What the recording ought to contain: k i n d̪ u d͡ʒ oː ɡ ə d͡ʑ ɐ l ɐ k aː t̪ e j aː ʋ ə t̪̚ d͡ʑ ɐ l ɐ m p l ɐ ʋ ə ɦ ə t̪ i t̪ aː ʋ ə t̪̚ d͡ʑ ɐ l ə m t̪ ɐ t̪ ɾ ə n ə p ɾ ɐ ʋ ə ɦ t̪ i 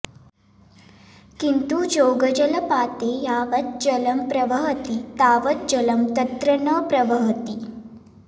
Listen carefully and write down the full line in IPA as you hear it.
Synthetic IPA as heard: k i n t̪ u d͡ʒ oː ɡ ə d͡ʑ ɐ l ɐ p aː t̪ e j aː ʋ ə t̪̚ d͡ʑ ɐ l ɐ m p ɾ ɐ ʋ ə ɦ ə t̪ i t̪ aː ʋ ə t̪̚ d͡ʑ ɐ l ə m t̪ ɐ t̪ ɾ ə n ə p ɾ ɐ ʋ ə ɦ t̪ i

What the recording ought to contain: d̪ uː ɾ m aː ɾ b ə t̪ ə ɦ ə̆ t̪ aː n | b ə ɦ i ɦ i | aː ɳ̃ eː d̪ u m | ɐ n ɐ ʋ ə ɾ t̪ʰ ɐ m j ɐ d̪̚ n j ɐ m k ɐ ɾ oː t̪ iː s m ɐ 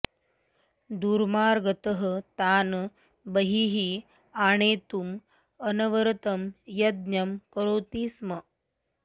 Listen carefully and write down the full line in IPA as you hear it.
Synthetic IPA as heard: d̪ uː ɾ m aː ɾ ɡ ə t̪ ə ɦ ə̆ t̪ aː n | b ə ɦ i ɦ i | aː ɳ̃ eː t̪ u m | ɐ n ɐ ʋ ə ɾ t̪ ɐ m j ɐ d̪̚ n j ɐ m k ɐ ɾ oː t̪ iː s m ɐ

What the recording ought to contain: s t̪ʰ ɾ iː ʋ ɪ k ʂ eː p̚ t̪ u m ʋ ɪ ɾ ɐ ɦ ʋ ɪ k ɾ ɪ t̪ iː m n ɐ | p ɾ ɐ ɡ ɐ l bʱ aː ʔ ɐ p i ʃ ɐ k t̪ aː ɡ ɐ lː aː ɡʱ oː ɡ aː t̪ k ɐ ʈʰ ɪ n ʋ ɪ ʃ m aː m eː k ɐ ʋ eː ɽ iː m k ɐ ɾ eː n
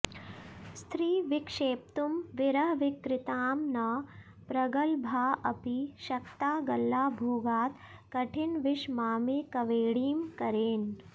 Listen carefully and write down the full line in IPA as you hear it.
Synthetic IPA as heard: s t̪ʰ ɾ iː ʋ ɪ k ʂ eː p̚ t̪ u m ʋ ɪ ɾ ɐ ɦ ʋ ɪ k ɾ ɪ t̪ aː m n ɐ | p ɾ ɐ ɡ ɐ l bʱ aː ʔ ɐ p i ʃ ɐ k t̪ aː ɡ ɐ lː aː bʱ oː ɡ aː t̪ k ɐ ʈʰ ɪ n ʋ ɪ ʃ m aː m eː k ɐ ʋ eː ɽ iː m k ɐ ɾ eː n

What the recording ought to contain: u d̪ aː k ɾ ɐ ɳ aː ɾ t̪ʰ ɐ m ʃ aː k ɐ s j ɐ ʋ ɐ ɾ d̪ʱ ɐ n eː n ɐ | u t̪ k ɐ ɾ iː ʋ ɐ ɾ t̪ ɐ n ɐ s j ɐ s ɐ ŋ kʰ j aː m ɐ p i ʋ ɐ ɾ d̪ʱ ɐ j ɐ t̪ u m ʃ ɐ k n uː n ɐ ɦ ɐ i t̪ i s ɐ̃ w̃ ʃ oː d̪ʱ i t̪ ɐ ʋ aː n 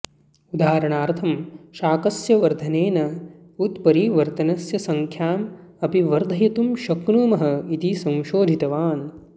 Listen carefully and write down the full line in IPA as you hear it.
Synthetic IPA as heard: u d̪ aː ɾ ɐ ɳ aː ɾ t̪ʰ ɐ m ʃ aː k ɐ s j ɐ ʋ ɐ ɾ d̪ʱ ɐ n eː n ɐ | u t̪ p ɐ ɾ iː ʋ ɐ ɾ t̪ ɐ n ɐ s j ɐ s ɐ ŋ kʰ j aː m ɐ p i ʋ ɐ ɾ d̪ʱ ɐ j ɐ t̪ u m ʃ ɐ k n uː m ɐ ɦ ɐ i t̪ i s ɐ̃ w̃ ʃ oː d̪ʱ i t̪ ɐ ʋ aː n

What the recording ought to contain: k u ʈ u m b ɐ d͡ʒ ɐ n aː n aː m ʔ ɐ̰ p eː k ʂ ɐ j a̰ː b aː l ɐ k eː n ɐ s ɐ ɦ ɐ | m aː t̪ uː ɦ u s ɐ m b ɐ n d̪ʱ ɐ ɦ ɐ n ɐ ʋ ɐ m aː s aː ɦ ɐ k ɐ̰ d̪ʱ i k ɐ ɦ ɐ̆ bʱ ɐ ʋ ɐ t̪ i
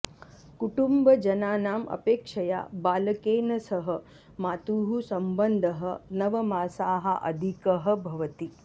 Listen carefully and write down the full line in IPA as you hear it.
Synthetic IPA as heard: k u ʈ u m b ɐ d͡ʒ ɐ n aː n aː m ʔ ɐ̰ p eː k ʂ ɐ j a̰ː b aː l ɐ k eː n ɐ s ɐ ɦ ɐ | m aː t̪ uː ɦ u s ɐ m b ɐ n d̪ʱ ɐ ɦ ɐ n ɐ ʋ ɐ m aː s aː ɦ ɐ ʔ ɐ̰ d̪ʱ i k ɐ ɦ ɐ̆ bʱ ɐ ʋ ɐ t̪ i

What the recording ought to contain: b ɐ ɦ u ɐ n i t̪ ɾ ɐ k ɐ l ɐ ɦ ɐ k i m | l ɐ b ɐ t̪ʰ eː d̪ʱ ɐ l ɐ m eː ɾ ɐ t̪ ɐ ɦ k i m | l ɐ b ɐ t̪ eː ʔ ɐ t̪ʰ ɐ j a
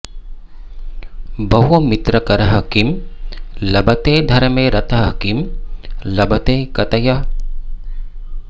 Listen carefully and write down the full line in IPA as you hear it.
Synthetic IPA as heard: b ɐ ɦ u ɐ m i t̪ ɾ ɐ k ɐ ɾ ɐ ɦ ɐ k i m | l ɐ b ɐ t̪ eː d̪ʱ ɐ ɾ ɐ m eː ɾ ɐ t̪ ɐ ɦ k i m | l ɐ b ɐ t̪ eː k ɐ t̪ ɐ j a

